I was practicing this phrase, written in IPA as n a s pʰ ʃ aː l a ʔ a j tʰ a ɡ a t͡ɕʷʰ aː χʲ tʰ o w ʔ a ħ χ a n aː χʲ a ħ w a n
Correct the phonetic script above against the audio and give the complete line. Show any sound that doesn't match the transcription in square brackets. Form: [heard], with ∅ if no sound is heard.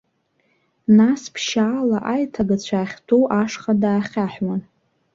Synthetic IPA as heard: n a s pʰ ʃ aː l a ʔ a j tʰ a ɡ a t͡ɕʷʰ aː χʲ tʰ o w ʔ a [ʂ] χ a [d] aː χʲ a ħ w a n